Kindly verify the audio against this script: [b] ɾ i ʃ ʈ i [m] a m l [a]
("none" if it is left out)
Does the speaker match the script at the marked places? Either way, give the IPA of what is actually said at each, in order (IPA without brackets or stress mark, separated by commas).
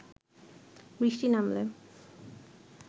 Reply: b, n, e